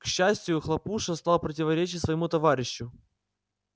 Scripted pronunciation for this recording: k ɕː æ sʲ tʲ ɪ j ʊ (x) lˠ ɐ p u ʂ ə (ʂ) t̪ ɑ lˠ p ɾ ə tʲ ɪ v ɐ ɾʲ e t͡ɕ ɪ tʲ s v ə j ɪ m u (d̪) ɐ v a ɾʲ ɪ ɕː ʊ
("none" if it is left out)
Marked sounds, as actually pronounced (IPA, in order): x, s, t̪

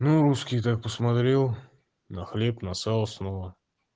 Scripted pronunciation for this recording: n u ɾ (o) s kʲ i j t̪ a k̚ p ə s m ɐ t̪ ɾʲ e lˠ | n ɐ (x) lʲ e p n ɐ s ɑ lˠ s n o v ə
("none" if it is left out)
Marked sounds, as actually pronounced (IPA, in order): u, x

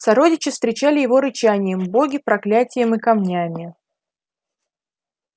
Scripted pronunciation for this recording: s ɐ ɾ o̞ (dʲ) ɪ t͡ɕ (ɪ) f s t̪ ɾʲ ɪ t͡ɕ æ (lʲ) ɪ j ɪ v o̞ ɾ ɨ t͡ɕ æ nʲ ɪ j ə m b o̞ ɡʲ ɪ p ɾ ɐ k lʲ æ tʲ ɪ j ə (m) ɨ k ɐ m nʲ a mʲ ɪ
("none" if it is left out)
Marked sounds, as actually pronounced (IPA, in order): dʲ, ɪ, lʲ, m

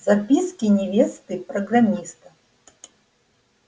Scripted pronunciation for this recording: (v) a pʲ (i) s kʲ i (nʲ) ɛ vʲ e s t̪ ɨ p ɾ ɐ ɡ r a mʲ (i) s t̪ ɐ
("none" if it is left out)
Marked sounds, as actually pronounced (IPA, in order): z, i, nʲ, i

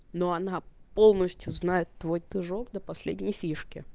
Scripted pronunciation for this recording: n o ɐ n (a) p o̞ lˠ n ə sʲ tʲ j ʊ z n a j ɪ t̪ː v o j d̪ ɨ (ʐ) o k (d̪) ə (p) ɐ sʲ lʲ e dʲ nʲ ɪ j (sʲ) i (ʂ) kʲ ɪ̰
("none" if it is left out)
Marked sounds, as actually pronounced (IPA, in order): a, ʐ, d̪, p, fʲ, ʂ

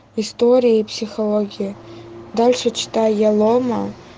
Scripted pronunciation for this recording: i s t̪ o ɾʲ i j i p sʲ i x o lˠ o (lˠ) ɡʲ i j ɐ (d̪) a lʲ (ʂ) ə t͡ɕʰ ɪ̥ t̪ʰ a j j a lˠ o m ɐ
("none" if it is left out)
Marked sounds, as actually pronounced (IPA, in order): none, d̪, ʂ

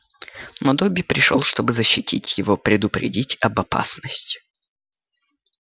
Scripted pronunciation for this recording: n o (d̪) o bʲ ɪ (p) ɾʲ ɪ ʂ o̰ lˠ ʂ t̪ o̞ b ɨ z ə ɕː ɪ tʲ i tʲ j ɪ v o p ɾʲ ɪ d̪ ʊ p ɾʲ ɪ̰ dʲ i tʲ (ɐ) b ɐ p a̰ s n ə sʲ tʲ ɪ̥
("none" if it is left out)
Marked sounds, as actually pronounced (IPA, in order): d̪, p, ɐ

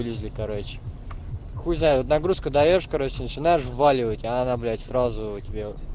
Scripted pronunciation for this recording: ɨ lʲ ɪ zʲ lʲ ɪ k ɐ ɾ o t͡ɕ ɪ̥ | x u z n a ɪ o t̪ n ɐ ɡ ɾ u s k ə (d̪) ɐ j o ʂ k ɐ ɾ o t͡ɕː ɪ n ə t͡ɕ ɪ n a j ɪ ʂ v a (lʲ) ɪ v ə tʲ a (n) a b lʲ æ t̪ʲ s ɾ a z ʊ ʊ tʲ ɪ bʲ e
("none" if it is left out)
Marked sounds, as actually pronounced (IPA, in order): d̪, lʲ, n

